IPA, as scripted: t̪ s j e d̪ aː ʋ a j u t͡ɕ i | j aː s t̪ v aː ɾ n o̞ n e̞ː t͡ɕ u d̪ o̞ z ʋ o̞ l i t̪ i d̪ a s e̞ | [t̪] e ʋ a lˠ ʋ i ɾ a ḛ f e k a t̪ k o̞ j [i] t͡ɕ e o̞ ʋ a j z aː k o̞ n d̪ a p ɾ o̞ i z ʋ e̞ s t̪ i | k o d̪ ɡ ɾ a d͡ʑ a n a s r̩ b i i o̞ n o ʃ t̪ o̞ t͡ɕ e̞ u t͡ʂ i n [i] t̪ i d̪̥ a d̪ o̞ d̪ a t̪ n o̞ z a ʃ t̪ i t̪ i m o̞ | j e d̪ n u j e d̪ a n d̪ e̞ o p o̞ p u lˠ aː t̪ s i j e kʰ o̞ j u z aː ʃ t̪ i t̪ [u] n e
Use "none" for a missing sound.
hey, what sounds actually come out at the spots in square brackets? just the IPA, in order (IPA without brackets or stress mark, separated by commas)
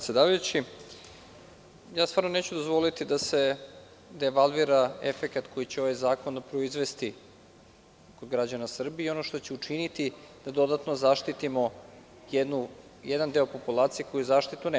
d̪, i, i, u